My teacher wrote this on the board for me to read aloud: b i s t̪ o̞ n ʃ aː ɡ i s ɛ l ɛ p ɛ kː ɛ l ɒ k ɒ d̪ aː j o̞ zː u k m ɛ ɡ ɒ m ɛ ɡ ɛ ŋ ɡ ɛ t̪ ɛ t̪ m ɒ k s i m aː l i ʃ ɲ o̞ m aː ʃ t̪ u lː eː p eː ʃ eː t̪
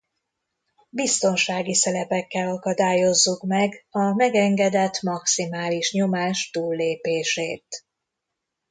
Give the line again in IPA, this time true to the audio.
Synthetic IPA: b i s t̪ o̞ n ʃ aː ɡ i s ɛ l ɛ p ɛ kː ɛ l ɒ k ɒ d̪ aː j o̞ zː u k m ɛ ɡ ɒ m ɛ ɡ ɛ ŋ ɡ ɛ d̪ ɛ t̪ m ɒ k s i m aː l i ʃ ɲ o̞ m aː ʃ t̪ uː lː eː p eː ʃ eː t̪